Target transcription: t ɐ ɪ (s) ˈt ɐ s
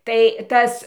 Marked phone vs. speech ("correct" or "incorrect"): incorrect